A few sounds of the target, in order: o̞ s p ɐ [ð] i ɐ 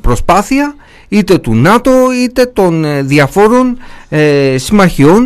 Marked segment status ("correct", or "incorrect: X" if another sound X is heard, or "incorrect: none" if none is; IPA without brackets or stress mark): incorrect: θ